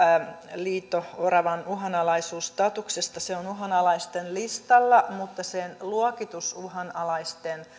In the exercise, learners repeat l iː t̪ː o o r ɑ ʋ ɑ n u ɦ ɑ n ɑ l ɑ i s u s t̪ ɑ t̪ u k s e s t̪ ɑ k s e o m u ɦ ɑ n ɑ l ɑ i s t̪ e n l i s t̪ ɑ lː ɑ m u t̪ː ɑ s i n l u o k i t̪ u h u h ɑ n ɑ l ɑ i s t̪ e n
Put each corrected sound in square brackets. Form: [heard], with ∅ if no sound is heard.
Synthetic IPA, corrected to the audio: l iː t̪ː o o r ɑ ʋ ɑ n u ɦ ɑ n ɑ l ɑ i s [uː] s t̪ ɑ t̪ u k s e s t̪ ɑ [∅] s e o [n] u ɦ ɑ n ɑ l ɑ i s t̪ e n l i s t̪ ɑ lː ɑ m u t̪ː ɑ s [e] n l u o k i t̪ u [s] u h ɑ n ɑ l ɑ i s t̪ e n